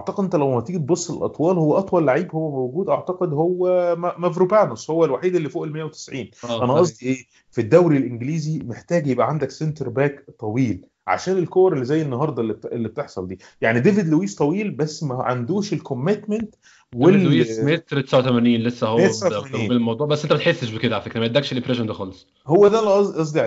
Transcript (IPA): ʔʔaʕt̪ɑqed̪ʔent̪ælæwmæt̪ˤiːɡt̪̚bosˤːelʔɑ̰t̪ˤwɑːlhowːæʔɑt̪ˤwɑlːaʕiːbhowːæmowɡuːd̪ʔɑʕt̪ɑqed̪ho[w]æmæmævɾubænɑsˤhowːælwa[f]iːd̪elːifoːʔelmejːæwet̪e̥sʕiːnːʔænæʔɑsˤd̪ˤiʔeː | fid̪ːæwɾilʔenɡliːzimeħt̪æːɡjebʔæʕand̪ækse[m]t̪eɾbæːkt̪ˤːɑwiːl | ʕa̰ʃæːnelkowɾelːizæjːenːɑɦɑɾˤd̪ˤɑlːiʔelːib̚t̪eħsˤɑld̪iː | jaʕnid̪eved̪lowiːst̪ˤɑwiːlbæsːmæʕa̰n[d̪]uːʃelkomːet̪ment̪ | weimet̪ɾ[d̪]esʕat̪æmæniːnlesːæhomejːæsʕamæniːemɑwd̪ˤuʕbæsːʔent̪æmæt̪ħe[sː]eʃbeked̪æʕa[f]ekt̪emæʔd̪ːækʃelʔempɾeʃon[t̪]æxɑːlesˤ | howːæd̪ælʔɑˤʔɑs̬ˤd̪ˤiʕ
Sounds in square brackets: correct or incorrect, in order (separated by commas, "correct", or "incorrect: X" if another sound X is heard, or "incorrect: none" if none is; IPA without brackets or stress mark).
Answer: incorrect: wː, incorrect: ħ, incorrect: n, correct, incorrect: t̪, correct, correct, incorrect: d̪